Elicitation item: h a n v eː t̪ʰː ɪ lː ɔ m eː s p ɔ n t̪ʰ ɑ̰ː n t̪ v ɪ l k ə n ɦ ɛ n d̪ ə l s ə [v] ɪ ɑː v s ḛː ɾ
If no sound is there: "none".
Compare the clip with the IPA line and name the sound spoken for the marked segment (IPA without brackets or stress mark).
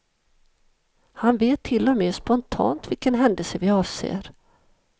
v